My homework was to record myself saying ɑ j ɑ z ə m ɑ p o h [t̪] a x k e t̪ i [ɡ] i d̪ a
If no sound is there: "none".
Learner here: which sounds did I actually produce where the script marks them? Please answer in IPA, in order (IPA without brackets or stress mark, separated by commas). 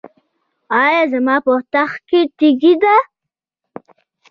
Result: t̪, ɡ